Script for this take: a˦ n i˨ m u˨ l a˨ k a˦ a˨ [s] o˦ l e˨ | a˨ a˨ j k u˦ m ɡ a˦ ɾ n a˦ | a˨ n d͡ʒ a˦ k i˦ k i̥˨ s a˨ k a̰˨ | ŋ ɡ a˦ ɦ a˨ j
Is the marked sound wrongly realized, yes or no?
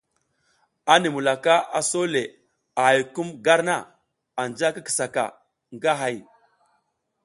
no